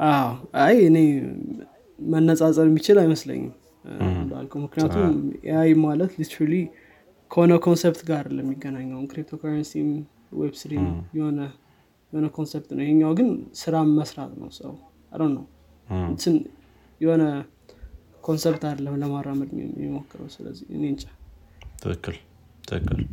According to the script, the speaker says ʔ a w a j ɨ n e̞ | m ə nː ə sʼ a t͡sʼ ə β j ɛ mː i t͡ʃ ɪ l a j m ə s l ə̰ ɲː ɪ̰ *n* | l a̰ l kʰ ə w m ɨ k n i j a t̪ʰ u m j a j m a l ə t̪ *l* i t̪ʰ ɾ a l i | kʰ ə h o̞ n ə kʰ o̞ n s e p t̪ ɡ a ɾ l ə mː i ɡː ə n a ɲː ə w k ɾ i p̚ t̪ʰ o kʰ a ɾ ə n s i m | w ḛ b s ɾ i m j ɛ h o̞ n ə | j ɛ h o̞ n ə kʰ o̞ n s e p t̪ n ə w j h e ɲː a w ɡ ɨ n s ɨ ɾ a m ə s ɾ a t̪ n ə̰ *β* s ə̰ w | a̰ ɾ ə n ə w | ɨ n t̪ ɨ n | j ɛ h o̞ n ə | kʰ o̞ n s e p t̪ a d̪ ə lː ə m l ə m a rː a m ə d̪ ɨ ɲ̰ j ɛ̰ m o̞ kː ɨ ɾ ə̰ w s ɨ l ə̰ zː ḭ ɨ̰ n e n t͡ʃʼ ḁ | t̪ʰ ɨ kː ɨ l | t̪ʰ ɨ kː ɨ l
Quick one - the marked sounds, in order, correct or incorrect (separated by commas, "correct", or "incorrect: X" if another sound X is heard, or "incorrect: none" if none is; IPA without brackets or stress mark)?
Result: incorrect: m, correct, incorrect: w